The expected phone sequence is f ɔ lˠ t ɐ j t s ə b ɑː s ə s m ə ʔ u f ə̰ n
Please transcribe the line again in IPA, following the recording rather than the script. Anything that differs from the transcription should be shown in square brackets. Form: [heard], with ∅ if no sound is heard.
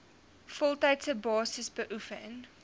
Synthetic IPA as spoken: f ɔ lˠ t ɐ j t s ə b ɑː s ə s [b] ə ʔ u f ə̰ n